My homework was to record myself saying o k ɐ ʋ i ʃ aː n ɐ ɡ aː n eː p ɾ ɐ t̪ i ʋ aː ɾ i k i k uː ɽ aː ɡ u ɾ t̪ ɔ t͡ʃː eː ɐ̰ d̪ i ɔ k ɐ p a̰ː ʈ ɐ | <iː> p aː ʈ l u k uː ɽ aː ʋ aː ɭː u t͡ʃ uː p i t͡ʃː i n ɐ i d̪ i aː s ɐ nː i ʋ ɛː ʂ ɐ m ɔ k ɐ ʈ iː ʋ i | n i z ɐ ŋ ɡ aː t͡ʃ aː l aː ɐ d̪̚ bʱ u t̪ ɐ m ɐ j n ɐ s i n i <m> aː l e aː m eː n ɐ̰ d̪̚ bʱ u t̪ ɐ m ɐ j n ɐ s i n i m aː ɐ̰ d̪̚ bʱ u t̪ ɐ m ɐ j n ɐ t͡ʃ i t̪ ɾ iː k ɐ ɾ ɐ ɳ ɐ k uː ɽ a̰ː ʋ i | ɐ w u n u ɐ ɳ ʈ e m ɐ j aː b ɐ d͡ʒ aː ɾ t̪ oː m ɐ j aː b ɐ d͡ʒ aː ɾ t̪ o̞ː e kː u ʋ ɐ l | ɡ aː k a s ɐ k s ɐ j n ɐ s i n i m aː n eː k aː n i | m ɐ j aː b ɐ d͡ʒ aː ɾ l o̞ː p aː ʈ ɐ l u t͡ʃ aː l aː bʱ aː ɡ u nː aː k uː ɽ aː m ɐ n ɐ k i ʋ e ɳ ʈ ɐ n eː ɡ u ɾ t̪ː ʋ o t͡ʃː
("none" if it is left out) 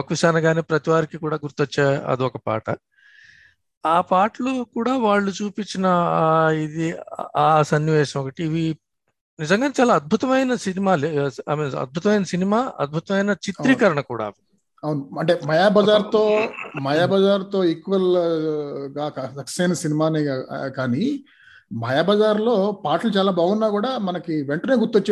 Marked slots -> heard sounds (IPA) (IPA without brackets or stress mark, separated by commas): aː, m